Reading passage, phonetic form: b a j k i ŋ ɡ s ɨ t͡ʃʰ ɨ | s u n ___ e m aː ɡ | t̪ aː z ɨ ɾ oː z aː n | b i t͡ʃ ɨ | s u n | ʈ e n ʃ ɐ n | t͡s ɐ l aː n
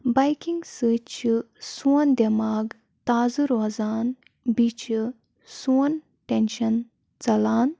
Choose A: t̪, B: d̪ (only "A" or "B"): B